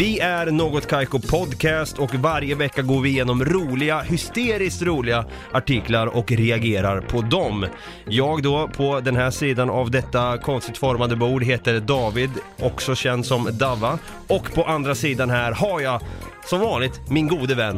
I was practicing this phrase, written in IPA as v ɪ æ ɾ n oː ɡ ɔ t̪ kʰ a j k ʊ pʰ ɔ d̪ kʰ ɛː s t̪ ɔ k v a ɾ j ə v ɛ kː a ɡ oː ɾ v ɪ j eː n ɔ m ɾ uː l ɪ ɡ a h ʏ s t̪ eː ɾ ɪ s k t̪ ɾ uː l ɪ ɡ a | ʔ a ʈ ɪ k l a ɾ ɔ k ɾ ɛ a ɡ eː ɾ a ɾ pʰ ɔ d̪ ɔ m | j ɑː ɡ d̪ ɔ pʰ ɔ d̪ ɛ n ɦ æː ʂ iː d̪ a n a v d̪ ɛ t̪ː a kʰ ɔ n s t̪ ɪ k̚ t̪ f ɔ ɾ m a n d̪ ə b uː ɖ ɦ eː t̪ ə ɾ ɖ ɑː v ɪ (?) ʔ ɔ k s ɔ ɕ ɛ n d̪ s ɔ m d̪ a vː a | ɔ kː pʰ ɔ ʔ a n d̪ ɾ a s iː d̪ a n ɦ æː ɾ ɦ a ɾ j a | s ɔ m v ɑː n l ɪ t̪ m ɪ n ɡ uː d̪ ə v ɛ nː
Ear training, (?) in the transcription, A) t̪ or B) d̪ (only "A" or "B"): B